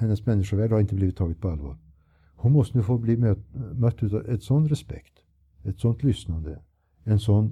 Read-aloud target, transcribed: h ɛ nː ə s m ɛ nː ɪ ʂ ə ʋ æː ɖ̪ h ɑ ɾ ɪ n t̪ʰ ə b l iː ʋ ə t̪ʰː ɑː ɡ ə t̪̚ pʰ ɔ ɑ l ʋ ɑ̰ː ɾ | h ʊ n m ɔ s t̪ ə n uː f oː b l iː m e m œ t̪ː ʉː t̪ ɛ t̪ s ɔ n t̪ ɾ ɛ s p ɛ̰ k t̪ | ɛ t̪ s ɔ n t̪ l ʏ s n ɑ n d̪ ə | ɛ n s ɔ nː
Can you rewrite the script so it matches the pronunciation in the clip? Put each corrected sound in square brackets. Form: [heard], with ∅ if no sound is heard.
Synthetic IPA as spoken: h ɛ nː ə s m ɛ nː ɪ ʂ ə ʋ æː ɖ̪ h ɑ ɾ ɪ n [t̪] ə b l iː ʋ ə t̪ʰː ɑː ɡ ə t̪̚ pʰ ɔ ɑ l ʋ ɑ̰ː ɾ | h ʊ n m ɔ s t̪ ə n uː f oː b l iː m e m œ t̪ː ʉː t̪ ɛ t̪ s ɔ n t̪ ɾ ɛ s p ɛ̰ k t̪ | ɛ t̪ s ɔ n t̪ l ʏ s n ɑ n d̪ ə | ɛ n s ɔ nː